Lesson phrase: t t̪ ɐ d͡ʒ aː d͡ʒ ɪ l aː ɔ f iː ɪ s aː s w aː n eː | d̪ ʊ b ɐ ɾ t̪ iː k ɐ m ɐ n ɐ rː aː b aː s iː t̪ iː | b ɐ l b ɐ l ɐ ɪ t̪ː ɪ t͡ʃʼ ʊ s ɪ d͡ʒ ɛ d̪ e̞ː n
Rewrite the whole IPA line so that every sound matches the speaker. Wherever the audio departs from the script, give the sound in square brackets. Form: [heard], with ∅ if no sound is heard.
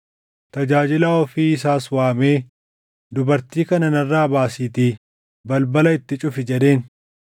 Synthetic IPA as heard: t t̪ ɐ d͡ʒ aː d͡ʒ ɪ l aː ɔ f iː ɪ s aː s w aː [m] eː | d̪ ʊ b ɐ ɾ t̪ iː k ɐ [n] ɐ n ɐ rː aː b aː s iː t̪ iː | b ɐ l b ɐ l ɐ ɪ t̪ː ɪ t͡ʃʼ ʊ [f] ɪ d͡ʒ ɛ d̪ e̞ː n